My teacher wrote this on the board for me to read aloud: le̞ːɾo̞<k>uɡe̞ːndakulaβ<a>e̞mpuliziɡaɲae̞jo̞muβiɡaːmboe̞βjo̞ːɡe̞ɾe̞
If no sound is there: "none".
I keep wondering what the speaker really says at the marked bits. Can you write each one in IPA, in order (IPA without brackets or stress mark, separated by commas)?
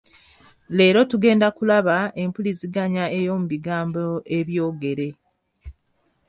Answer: t, a